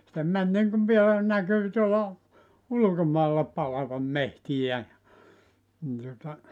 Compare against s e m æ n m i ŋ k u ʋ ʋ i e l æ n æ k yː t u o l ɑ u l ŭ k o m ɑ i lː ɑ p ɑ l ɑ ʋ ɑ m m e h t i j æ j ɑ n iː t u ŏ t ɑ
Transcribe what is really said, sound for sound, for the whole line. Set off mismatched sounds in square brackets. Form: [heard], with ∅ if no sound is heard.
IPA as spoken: s e m æ n [n] i ŋ k u ʋ ʋ i e l æ n æ k yː t u o l ɑ u l ŭ k o m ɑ i lː ɑ p ɑ l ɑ ʋ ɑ m m e h t i j æ j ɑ n [i] t u ŏ t ɑ

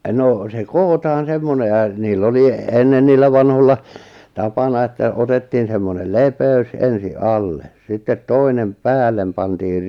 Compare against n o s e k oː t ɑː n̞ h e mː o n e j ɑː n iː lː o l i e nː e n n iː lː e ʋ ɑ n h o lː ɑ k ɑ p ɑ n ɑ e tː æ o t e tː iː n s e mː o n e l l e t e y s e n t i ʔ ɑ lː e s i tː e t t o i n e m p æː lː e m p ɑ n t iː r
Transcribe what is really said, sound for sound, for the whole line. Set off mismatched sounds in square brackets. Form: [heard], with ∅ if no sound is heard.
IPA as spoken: n o s e k oː t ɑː n̞ [s] e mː o n e j [ɑ] n iː lː o l i e nː e n n iː lː [æ] ʋ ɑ n h o lː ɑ [t] ɑ p ɑ n ɑ e tː æ o t e tː iː n s e mː o n e l l e [p] e y s e n [s] i ʔ ɑ lː e s i tː e t t o i n e m p æː lː e m p ɑ n t iː r

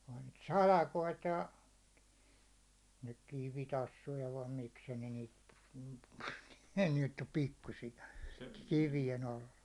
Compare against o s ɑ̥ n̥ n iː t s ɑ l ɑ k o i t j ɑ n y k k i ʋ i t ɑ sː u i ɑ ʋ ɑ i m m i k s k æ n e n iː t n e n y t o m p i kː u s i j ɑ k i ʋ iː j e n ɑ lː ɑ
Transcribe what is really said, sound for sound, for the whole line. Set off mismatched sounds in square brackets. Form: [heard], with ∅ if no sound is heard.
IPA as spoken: o [h] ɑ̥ n̥ n iː t s ɑ l ɑ k o i t j ɑ n y k k i ʋ i t ɑ sː u [j] ɑ ʋ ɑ i m m i k s k æ n e n iː t n e n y t o m p i kː u s i j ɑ k i ʋ [i] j e n ɑ lː ɑ

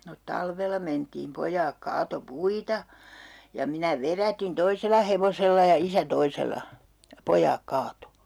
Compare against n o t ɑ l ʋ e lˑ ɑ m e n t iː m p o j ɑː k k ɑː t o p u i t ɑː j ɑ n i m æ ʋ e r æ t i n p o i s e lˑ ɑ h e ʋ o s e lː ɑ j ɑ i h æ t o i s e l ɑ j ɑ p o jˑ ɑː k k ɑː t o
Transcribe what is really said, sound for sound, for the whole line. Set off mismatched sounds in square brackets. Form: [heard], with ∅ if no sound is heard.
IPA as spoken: n o t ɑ l ʋ e lˑ ɑ m e n t iː m p o j ɑː k k ɑː t o p u i t [ɑ] j ɑ [m] i [n] æ ʋ e r æ t i n [t] o i s e lˑ ɑ h e ʋ o s e lː ɑ j ɑ i [s] æ t o i s e l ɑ j ɑ p o jˑ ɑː k k ɑː t o

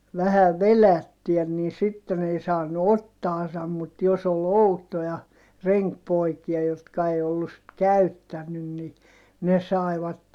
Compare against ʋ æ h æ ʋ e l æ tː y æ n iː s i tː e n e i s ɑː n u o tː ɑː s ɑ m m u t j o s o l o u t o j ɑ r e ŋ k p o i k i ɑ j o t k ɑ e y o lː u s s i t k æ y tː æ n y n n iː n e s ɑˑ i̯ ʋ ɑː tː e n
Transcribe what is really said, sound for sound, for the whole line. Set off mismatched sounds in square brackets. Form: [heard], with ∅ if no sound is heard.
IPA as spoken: ʋ æ h æ ʋ e l æ tː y æ n iː s i tː e n e i s ɑː n u o tː ɑː s ɑ m m u t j o s o l o u t o j ɑ r e ŋ k p o i k i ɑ j o t k ɑ e [i] o lː u s s i t k æ y tː æ [nː] y n n [i] n e s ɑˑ i̯ ʋ [ɑ] tː e n

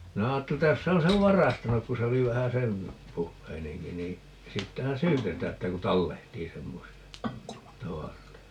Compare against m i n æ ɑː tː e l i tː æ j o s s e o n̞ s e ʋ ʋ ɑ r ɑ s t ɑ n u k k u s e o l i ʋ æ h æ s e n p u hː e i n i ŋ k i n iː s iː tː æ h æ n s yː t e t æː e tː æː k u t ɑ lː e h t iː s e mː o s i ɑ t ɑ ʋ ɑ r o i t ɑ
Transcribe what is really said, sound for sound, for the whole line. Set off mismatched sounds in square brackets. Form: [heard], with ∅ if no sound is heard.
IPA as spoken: m i n æ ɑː tː e l i tː æ j o s s e o n̞ s e ʋ ʋ ɑ r ɑ s t ɑ n u k k u s e o l i ʋ æ h æ s e n p u hː e i n [e] ŋ k i n iː s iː tː æ h æ n s yː t e t æː e tː [æ] k u t ɑ lː e h t iː s e mː o s i ɑ t ɑ ʋ ɑ r o i t ɑ

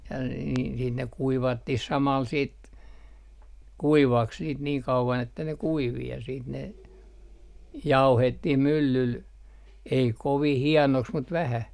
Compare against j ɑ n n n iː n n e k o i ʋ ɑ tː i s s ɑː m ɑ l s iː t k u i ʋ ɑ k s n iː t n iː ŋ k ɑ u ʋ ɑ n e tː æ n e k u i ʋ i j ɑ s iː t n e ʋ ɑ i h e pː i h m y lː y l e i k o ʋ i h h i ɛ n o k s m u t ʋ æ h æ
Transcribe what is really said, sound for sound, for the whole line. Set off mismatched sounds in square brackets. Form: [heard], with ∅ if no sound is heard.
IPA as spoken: j ɑ n n n iː n n e k [u] i ʋ ɑ tː i [h] s [ɑ] m ɑ l s iː t k u i ʋ ɑ k s n iː t n iː ŋ k ɑ u ʋ ɑ n e tː æ n e k u i ʋ i j ɑ s iː t n e ʋ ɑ i h e [tː] i h m y lː y l e i k o ʋ i h h i ɛ n o k s m u t ʋ æ h æ

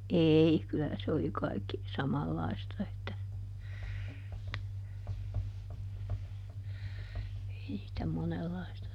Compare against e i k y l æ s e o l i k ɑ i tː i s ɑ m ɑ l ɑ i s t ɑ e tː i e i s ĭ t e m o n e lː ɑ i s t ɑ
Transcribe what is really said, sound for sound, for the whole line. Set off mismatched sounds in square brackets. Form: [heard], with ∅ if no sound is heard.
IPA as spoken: e i k y l æ s e o l i k ɑ i [kː] i s ɑ m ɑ [lː] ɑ i s t ɑ e tː [æ] e i s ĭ t [æ] m o n e lː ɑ i s t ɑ

